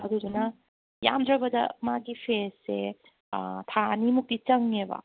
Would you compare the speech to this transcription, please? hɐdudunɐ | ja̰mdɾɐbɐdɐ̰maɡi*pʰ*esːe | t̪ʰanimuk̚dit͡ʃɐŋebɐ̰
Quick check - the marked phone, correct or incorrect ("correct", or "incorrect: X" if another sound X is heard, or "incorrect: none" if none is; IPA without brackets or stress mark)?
correct